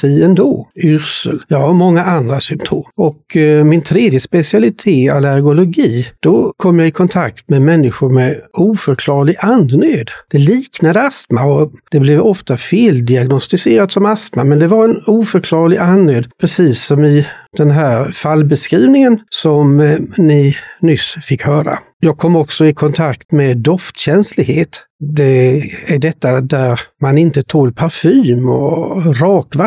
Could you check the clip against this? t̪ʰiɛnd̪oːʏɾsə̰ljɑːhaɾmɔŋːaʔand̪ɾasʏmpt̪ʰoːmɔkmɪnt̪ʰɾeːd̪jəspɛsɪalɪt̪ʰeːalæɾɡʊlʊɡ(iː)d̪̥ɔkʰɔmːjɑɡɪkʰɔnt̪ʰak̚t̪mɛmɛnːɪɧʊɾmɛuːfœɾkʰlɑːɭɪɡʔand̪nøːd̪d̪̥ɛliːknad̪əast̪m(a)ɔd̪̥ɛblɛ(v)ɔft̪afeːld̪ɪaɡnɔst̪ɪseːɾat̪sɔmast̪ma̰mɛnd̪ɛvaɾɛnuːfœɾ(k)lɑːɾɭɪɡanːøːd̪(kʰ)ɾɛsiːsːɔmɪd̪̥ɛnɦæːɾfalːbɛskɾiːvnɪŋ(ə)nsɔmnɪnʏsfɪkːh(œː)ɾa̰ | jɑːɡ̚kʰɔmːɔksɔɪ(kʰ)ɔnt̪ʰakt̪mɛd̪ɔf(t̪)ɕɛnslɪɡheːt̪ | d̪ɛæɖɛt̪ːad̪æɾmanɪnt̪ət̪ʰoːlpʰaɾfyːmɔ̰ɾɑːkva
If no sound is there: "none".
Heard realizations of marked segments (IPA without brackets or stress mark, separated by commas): iː, a, v, kʰ, pʰ, ə, œː, kʰ, t̪